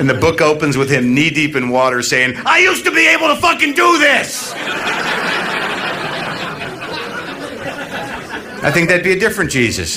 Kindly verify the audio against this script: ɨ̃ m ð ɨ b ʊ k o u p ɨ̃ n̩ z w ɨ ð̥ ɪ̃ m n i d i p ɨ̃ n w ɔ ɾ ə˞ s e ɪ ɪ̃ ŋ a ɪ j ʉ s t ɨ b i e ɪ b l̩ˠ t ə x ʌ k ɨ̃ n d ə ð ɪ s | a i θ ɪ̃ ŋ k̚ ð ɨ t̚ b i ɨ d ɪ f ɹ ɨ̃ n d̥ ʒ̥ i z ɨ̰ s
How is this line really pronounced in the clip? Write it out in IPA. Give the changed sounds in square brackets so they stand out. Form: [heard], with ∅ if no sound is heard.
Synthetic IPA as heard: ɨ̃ [n] ð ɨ b ʊ k o [ʊ] p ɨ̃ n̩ z w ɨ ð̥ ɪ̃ m n i d i p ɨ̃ n w ɔ ɾ ə˞ s e ɪ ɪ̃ ŋ a ɪ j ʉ s t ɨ b i e ɪ b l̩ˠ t ə [f] ʌ k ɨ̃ n d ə ð ɪ s | a [ɪ] θ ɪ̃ ŋ k̚ ð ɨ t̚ b i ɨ d ɪ f ɹ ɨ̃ n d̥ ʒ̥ i z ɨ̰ s